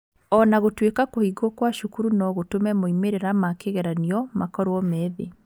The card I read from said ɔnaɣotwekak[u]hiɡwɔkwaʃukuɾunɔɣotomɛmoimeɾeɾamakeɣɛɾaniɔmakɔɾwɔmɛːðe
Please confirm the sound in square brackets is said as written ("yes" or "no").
no